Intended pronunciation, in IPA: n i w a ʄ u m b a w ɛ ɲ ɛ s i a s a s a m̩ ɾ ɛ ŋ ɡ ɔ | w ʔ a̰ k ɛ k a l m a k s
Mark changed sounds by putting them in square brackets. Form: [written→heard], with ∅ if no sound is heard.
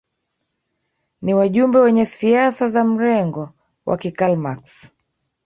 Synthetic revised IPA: n i w a ʄ u m b [a→ɛ] w ɛ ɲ ɛ s i a s a [s→z] a m̩ ɾ ɛ ŋ ɡ ɔ | w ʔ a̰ k [ɛ→i] k a l m a k s